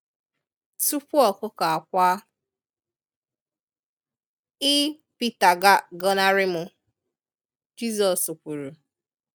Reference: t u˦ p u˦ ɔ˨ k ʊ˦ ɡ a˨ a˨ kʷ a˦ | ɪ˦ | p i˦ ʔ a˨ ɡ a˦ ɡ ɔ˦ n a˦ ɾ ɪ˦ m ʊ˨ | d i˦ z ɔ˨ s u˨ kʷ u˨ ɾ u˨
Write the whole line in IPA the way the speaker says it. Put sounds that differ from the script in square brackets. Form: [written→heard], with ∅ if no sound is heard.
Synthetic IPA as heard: t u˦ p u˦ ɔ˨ k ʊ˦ [ɡ→k] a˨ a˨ kʷ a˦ | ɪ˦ | p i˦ [ʔ→t] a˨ ɡ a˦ ɡ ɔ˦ n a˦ ɾ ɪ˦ m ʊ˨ | [d→d͡ʒ] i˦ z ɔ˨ s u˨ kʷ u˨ ɾ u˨